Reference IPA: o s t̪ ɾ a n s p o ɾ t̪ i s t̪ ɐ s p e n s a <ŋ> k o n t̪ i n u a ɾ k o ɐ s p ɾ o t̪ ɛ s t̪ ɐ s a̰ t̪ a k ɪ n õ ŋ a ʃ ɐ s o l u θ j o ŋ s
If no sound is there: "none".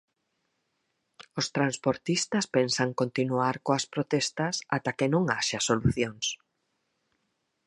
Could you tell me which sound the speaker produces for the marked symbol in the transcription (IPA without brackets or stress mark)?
ŋ